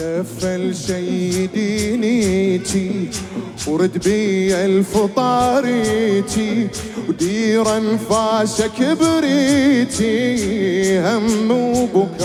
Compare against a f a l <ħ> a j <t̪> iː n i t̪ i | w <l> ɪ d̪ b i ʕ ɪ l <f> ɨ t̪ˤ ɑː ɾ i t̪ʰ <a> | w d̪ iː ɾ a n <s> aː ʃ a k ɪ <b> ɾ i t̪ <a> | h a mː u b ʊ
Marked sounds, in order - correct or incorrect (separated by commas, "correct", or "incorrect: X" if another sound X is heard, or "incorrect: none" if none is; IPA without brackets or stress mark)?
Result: incorrect: ʃ, incorrect: d̪, incorrect: ɾ, correct, incorrect: i, incorrect: f, correct, incorrect: i